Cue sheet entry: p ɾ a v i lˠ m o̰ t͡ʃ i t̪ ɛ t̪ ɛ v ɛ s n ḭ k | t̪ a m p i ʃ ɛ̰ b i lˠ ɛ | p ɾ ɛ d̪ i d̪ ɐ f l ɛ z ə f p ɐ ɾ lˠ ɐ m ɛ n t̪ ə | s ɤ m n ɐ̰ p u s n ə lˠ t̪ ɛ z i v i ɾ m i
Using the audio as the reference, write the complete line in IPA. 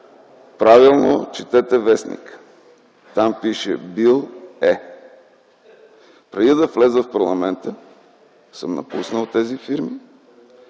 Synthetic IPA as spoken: p ɾ a v i lˠ n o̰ t͡ʃ i t̪ ɛ t̪ ɛ v ɛ s n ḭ k | t̪ a m p i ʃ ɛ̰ b i lˠ ɛ | p ɾ ɛ d̪ i d̪ ɐ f l ɛ z ə f p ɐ ɾ lˠ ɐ m ɛ n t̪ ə | s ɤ m n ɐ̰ p u s n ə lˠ t̪ ɛ z i f i ɾ m i